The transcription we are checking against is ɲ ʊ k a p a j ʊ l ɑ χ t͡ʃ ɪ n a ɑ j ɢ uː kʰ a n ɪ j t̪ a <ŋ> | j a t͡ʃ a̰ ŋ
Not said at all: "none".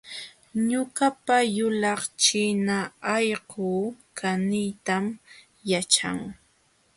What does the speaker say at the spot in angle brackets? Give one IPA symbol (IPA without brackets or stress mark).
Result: m